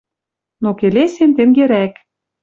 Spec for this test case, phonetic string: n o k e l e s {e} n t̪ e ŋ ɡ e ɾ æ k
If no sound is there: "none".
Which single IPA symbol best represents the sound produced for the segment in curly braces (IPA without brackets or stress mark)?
e